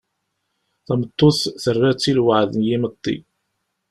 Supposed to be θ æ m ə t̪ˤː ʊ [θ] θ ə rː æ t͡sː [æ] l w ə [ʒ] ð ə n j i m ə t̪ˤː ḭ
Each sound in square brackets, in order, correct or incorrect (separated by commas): correct, incorrect, incorrect